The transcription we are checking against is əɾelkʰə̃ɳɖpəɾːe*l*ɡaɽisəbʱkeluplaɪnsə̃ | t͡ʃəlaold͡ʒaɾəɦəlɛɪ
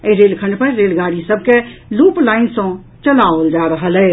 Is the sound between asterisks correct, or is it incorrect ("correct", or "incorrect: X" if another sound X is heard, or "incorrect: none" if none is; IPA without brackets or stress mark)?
correct